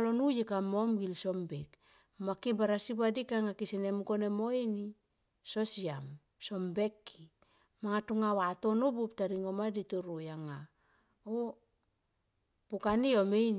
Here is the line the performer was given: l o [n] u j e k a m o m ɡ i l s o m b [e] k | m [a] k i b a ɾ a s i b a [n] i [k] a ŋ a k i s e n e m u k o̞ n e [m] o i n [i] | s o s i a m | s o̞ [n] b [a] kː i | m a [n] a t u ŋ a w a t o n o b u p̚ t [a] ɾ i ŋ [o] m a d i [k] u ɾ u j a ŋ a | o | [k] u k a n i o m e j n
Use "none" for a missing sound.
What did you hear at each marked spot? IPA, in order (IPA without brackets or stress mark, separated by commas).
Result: n, e, a, d, k, m, i, m, e, ŋ, a, o, t, p